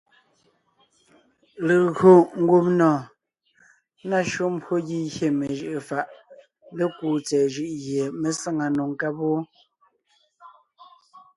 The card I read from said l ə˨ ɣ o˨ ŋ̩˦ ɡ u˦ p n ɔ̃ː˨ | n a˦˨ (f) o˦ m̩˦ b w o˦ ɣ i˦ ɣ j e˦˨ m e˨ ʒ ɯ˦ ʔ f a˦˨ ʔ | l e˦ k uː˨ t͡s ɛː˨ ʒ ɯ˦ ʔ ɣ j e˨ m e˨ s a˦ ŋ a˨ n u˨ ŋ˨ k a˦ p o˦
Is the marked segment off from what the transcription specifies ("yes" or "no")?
yes